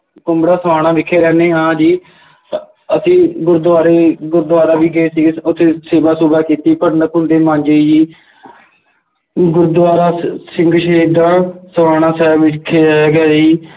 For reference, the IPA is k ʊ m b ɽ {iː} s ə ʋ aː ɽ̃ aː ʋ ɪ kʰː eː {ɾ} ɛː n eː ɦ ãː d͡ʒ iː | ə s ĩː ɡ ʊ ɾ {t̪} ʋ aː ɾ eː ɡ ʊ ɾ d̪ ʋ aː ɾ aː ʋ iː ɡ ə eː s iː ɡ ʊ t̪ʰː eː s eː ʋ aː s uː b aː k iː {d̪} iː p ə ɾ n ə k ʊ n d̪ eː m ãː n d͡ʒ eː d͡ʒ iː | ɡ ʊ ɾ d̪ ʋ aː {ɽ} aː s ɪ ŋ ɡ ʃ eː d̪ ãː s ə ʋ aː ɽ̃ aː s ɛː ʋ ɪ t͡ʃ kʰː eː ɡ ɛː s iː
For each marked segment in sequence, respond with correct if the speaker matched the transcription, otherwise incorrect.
incorrect: aː, correct, incorrect: d̪, incorrect: t̪, incorrect: ɾ

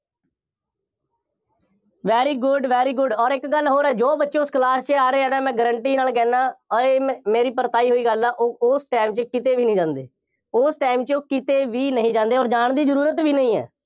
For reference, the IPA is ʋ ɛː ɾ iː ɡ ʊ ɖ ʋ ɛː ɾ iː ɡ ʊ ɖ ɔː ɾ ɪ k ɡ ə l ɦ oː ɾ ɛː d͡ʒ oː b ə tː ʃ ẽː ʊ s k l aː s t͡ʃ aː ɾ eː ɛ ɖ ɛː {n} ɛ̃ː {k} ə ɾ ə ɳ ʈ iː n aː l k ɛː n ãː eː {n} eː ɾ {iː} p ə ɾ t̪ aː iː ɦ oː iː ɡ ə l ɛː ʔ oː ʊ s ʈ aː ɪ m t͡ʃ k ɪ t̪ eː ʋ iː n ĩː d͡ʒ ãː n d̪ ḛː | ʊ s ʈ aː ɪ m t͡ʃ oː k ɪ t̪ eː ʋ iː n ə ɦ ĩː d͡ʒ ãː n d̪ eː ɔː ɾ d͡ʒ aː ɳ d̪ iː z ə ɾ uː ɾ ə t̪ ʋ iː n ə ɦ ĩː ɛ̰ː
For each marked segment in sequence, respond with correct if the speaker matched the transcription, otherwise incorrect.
incorrect: m, incorrect: ɡ, incorrect: m, correct

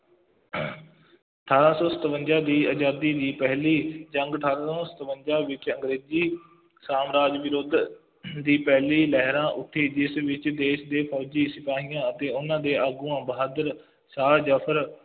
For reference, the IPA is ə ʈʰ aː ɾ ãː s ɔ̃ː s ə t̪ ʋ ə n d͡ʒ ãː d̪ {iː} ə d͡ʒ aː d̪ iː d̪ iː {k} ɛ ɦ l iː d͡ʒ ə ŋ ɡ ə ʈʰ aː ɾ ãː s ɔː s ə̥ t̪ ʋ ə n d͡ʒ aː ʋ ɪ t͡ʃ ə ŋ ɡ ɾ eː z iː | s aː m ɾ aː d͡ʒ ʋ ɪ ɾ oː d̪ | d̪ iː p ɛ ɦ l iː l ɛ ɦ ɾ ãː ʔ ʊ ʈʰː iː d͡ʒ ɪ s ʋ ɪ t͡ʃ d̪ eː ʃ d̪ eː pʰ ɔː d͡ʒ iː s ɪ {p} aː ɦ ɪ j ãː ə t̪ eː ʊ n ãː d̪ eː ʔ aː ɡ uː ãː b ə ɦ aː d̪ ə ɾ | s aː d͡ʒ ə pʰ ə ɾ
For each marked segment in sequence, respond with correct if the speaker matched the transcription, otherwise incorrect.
correct, incorrect: p, correct

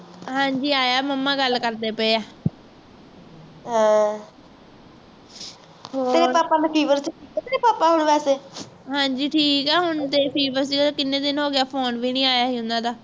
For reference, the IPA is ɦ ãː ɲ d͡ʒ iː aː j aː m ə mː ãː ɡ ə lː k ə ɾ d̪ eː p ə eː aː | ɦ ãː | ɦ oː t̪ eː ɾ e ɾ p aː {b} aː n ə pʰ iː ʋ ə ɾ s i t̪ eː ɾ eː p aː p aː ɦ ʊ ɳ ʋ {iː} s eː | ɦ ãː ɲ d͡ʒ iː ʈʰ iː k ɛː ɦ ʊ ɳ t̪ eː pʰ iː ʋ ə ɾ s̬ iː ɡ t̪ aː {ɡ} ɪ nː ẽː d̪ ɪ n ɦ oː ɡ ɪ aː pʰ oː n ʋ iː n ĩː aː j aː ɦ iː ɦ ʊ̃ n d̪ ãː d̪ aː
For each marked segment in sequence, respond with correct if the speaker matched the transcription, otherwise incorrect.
incorrect: p, incorrect: ɛː, incorrect: k

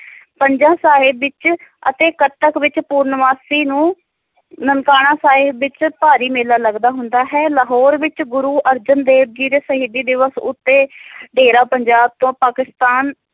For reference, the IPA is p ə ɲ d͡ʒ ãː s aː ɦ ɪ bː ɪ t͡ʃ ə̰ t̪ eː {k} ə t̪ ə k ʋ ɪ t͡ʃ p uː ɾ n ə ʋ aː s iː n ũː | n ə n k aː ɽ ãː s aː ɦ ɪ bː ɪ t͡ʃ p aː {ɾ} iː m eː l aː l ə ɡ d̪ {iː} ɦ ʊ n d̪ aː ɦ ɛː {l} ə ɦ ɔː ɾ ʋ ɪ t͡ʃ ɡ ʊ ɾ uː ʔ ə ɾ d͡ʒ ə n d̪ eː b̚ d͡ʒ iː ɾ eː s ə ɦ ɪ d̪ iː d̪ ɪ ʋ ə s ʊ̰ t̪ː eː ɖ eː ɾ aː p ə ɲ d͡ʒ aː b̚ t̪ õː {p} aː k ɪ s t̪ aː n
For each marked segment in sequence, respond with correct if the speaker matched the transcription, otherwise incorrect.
correct, correct, incorrect: aː, correct, correct

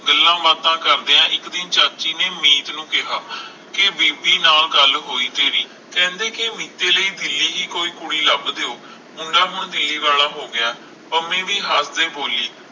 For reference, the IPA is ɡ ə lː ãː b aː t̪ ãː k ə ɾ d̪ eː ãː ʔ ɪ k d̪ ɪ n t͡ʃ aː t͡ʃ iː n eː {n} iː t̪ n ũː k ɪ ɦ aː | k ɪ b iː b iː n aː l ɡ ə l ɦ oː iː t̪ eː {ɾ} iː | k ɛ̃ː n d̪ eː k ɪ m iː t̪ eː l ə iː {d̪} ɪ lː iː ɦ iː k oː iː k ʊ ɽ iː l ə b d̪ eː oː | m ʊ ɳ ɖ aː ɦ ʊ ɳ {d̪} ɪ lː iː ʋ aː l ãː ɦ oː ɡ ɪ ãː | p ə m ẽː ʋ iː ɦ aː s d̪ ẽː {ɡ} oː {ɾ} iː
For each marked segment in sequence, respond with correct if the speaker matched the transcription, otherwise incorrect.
incorrect: m, correct, correct, correct, incorrect: b, incorrect: l

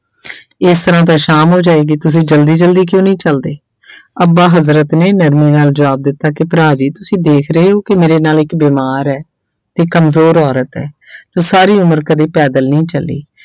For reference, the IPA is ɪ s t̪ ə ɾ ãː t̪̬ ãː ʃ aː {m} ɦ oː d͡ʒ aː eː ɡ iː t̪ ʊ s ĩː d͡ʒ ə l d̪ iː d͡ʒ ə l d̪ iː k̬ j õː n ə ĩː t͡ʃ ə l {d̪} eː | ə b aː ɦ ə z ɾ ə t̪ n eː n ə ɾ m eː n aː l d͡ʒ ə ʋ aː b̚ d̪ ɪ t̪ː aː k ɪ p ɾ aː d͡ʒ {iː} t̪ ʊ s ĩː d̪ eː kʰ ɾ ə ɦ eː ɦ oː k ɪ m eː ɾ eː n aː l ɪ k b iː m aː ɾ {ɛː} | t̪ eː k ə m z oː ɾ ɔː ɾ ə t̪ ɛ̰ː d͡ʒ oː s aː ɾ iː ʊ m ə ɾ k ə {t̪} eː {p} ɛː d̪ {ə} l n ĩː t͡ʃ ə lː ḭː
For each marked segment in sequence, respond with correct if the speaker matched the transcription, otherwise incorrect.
correct, correct, correct, correct, incorrect: d̪, correct, correct

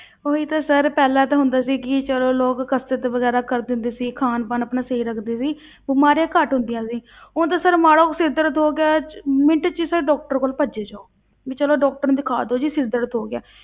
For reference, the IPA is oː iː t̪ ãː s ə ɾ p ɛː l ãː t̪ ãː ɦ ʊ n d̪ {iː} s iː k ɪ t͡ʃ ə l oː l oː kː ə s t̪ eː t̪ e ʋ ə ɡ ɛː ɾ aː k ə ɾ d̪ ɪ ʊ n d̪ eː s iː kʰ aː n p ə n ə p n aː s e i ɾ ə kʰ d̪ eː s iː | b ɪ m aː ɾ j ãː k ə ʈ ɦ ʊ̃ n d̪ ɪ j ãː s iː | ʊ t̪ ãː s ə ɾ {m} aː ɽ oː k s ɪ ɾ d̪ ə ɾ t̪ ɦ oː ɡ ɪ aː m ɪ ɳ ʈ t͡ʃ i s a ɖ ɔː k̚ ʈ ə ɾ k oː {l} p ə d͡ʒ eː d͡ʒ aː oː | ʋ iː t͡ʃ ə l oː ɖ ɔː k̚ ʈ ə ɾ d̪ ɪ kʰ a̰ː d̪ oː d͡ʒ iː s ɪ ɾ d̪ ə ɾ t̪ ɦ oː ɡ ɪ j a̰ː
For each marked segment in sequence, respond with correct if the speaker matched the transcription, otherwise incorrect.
incorrect: aː, correct, correct

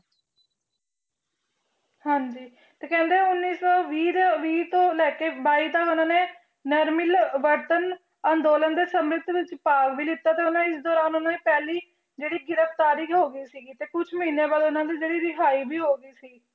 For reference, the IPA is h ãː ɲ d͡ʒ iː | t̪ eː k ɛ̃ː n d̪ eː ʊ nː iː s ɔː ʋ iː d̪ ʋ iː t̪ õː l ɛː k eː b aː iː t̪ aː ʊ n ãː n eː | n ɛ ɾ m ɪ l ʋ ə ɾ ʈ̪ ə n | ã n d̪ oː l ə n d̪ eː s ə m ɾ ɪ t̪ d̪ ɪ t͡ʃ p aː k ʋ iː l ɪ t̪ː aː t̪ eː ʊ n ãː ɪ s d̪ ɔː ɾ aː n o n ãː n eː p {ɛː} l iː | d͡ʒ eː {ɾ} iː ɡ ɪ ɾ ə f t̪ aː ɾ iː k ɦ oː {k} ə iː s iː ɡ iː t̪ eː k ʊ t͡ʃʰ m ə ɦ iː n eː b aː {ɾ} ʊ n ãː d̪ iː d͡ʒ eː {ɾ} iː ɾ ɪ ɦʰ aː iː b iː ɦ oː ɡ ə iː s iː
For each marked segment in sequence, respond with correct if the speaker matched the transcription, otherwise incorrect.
correct, incorrect: ɽ, incorrect: ɡ, incorrect: l, incorrect: ɽ

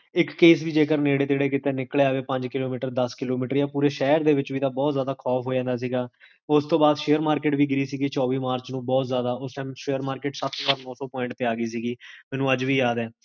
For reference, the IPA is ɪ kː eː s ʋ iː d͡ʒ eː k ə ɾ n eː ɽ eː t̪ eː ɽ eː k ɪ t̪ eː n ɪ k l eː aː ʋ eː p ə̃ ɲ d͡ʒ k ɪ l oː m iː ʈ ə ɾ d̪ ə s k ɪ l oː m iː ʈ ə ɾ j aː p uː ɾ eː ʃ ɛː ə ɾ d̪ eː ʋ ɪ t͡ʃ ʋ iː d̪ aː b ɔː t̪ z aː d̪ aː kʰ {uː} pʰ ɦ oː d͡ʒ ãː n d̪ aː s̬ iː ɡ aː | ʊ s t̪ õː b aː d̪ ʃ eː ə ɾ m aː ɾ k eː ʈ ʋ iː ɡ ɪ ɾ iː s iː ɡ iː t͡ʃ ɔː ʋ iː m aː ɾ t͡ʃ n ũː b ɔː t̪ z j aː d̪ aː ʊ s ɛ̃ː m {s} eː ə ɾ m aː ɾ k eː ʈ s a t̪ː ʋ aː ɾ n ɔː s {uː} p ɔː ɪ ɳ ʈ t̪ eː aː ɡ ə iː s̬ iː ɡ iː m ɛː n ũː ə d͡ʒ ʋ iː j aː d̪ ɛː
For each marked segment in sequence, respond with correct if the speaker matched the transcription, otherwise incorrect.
incorrect: ɔː, incorrect: ʃ, incorrect: ɔː

